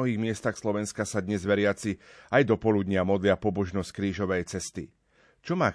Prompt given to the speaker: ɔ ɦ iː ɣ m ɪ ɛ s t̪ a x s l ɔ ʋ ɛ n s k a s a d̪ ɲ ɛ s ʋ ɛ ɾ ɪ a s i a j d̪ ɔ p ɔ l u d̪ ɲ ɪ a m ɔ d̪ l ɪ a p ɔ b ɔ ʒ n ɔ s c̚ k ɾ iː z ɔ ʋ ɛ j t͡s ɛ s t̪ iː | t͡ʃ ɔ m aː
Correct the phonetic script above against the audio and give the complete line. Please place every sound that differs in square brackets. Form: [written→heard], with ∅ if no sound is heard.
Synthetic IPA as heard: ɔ ɦ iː ɣ m ɪ ɛ s t̪ a x s l ɔ ʋ ɛ n s k a s a d̪ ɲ ɛ [s→z] ʋ ɛ ɾ ɪ a [s→t͡s] i a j d̪ ɔ p ɔ l u d̪ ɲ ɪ a m ɔ d̪ l ɪ a p ɔ b ɔ ʒ n ɔ s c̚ k ɾ iː [z→ʒ] ɔ ʋ ɛ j t͡s ɛ s t̪ [iː→i] | t͡ʃ ɔ m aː